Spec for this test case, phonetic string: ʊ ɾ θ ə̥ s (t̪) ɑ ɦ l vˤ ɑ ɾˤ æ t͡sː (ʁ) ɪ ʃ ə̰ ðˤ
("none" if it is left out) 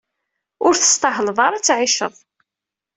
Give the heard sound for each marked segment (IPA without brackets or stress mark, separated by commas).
t̪, ʕ